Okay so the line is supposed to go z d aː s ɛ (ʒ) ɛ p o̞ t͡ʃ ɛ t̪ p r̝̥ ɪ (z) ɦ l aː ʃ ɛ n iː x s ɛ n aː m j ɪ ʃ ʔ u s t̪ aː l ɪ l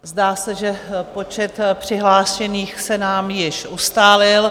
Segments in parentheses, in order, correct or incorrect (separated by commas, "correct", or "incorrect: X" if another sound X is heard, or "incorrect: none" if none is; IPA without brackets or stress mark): correct, incorrect: none